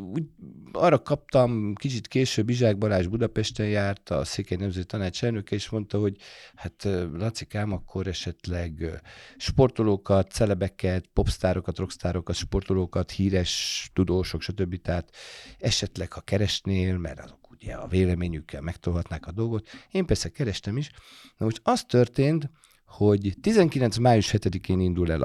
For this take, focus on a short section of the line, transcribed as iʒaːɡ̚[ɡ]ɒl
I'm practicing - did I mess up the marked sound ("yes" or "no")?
yes